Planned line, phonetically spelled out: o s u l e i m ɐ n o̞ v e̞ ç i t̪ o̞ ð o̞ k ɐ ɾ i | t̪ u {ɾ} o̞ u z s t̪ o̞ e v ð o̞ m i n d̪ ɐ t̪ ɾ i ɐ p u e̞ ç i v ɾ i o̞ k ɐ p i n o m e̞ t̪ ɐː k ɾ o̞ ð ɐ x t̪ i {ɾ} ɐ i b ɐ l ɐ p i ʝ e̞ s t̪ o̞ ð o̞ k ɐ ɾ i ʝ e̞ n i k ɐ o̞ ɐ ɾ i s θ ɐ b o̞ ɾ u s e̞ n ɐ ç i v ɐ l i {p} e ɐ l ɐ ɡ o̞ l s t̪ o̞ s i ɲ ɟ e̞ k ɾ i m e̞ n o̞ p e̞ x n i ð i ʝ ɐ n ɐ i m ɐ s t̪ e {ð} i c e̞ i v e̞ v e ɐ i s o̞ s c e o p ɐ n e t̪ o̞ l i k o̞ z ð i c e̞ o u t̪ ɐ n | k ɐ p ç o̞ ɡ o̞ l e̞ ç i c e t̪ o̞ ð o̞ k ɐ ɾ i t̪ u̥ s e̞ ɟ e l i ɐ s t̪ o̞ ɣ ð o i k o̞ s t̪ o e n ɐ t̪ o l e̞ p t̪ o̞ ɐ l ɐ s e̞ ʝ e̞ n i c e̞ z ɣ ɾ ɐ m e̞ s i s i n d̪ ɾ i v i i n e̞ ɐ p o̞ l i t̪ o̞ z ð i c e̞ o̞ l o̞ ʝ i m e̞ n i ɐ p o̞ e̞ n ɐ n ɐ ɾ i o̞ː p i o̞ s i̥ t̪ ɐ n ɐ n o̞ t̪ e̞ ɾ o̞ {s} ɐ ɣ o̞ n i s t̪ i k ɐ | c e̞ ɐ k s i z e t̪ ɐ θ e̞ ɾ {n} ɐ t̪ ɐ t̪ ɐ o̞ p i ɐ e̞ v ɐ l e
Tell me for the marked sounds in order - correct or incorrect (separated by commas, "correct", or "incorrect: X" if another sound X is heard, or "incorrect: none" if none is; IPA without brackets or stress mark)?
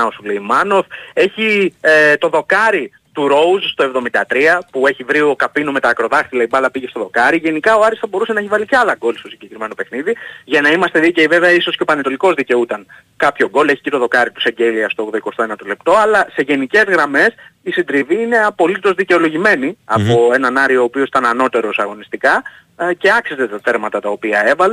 correct, incorrect: l, incorrect: c, correct, correct, incorrect: m